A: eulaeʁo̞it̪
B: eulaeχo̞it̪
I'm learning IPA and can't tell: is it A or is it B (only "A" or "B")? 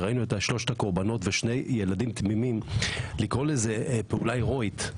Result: A